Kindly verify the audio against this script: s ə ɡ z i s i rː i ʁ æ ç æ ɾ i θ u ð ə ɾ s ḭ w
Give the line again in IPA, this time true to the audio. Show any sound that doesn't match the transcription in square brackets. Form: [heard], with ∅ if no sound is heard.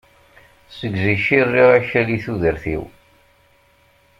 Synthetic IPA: s ə ɡ z i [ʃ] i rː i ʁ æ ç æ [l] i θ u ð ə ɾ [θ] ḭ w